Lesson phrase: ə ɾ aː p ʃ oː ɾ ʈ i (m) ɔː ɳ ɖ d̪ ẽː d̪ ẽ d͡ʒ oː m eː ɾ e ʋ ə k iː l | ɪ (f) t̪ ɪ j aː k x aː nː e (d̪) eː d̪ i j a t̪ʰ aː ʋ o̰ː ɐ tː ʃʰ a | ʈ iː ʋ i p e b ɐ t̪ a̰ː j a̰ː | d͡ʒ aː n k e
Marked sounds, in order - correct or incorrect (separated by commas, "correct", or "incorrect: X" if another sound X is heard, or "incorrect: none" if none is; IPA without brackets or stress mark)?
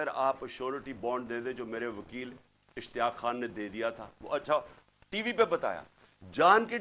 incorrect: b, incorrect: ʃ, correct